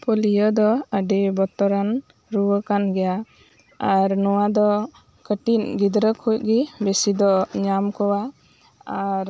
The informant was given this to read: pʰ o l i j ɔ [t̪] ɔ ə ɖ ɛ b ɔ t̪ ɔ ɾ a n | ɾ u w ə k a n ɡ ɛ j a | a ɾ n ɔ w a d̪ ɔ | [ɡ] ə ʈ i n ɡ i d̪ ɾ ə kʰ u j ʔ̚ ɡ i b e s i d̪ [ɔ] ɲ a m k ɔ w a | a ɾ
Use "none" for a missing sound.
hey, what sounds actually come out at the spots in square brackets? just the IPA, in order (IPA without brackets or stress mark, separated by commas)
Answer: d̪, k, ɔ